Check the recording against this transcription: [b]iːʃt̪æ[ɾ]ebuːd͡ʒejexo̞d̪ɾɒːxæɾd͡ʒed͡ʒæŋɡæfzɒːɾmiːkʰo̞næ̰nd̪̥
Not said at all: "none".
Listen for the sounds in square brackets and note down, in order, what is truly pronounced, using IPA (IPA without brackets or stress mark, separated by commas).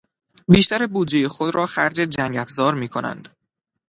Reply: b, ɾ